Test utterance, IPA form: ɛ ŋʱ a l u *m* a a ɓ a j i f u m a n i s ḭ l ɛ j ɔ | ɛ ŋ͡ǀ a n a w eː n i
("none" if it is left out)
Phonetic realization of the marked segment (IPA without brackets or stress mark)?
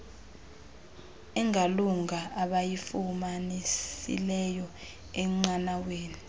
ŋ